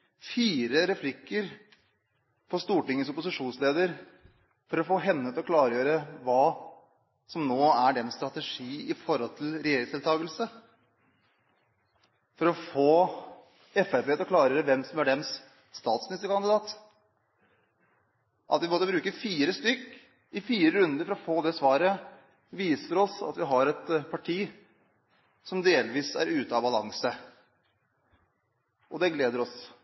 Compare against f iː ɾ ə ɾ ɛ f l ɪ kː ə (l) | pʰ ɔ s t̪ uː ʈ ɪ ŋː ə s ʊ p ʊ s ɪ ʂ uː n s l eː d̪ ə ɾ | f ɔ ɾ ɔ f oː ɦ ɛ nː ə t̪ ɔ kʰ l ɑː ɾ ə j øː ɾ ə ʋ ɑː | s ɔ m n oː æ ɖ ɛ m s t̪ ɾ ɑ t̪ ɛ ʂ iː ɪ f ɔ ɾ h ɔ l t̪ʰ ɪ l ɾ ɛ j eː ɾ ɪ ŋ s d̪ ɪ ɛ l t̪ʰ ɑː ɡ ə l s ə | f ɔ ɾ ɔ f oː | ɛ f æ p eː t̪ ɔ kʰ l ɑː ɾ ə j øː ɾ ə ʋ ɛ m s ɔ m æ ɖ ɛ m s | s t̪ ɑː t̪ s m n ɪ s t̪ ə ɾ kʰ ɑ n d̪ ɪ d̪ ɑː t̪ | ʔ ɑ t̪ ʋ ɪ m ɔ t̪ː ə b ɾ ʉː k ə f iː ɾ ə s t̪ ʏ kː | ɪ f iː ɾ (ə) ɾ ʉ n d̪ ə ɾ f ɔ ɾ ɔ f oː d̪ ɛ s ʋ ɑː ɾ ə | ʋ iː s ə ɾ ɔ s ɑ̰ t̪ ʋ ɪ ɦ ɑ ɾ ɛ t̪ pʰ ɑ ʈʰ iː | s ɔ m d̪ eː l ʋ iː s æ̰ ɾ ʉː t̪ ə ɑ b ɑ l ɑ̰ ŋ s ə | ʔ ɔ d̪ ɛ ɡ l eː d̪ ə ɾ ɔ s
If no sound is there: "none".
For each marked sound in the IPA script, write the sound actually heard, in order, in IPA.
ɾ, ə

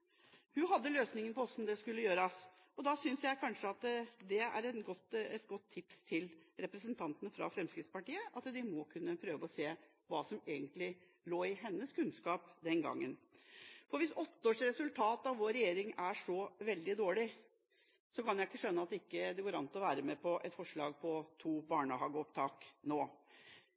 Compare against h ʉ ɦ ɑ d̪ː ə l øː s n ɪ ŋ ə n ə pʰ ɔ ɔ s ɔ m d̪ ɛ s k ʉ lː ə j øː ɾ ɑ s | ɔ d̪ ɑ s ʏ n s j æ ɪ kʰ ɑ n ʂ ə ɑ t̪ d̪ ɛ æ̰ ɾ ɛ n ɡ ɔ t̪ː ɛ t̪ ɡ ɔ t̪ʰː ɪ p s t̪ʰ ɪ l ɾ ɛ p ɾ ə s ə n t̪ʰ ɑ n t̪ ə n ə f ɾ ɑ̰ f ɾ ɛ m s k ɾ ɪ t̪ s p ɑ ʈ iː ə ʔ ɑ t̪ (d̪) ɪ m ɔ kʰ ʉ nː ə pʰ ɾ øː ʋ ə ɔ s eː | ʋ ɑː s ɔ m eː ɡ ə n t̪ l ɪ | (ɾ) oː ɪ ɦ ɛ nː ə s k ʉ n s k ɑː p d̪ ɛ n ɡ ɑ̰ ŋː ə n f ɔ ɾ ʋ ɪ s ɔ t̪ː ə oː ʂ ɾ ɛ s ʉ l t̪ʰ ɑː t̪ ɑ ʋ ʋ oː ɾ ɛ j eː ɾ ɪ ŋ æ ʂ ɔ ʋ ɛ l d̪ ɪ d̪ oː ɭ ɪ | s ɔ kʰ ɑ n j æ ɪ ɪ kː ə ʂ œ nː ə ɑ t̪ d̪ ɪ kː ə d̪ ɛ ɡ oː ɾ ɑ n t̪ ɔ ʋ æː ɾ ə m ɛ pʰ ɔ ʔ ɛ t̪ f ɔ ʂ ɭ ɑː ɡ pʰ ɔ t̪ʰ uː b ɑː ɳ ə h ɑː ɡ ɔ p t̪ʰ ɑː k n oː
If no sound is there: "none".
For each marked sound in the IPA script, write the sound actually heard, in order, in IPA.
d̪, l

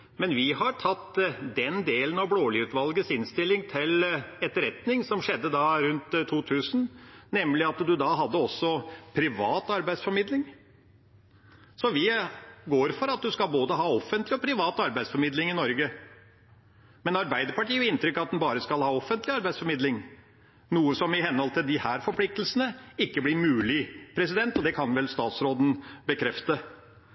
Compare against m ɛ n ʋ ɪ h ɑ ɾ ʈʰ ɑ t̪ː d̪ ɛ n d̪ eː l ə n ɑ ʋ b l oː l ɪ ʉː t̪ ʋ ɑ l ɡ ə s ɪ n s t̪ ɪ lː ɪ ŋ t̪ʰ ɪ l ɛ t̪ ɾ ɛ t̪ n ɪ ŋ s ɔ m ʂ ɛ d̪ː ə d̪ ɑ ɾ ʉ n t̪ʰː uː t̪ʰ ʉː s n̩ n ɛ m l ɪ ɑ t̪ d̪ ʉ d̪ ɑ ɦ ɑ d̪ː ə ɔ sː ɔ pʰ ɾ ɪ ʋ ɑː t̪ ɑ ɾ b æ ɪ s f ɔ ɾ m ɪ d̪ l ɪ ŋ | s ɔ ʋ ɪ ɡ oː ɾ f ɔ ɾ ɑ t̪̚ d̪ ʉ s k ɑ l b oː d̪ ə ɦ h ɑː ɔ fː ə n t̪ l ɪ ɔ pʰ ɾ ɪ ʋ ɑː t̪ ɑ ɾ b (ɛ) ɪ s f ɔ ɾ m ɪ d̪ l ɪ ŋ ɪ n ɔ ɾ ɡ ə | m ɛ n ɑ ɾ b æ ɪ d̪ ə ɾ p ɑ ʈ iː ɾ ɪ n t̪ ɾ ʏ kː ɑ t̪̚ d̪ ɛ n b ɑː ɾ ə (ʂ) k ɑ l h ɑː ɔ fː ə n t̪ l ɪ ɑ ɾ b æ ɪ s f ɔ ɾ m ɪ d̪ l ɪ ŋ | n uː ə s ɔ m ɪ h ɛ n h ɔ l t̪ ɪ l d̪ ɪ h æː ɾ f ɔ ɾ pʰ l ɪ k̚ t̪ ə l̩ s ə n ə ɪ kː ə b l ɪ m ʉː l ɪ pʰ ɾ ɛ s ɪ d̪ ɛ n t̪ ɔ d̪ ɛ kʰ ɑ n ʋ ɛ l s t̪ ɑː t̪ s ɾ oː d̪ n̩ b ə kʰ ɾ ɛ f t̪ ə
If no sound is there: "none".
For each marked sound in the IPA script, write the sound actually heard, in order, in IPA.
æ, s

